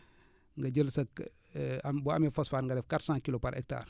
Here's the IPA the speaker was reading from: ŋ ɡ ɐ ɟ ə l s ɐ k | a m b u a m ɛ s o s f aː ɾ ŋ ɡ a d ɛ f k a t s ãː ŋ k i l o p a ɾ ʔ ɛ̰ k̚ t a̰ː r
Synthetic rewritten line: ŋ ɡ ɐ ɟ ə l s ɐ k | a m b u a m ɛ f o s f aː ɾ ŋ ɡ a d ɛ f k a t s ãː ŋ k i l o p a ɾ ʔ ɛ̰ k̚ t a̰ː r

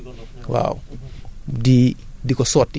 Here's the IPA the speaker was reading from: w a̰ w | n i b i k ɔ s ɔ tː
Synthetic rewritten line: w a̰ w | d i d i k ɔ s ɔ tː

